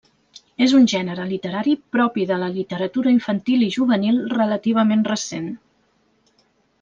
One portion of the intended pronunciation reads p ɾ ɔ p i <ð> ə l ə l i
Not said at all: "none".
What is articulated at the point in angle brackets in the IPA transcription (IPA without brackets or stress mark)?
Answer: ð